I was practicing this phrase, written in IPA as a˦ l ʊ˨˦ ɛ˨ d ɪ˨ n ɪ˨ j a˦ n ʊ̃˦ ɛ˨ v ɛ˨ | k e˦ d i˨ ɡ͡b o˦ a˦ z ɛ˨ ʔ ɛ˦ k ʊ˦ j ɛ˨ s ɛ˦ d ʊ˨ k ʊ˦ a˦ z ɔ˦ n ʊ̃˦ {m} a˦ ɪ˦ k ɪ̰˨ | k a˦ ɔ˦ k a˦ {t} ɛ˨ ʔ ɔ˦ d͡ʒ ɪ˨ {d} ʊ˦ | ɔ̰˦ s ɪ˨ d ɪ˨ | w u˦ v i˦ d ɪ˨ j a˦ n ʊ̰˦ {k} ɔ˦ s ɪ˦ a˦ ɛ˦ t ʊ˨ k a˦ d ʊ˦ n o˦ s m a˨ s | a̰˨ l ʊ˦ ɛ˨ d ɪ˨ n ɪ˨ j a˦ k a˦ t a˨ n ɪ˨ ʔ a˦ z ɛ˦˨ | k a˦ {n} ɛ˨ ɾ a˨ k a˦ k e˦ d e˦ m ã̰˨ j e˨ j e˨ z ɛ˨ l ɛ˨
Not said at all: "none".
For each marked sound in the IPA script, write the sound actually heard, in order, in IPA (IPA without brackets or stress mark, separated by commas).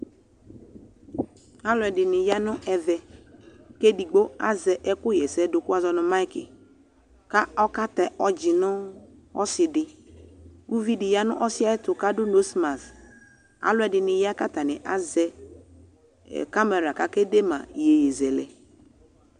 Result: m, t, n, ʔ, m